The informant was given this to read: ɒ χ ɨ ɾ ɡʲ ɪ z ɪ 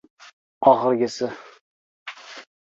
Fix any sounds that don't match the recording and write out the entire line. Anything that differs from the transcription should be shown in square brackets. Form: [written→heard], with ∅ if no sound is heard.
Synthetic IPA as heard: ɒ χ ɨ ɾ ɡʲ ɪ [z→s] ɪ